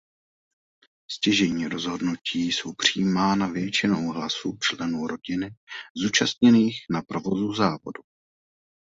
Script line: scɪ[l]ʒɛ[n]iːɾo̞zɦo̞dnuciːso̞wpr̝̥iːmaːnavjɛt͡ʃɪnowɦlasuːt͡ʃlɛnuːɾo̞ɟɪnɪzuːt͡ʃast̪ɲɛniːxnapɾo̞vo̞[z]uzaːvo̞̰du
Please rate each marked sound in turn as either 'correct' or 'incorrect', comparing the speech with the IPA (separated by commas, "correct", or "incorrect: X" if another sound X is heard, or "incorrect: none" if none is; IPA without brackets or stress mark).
incorrect: none, incorrect: ɲ, correct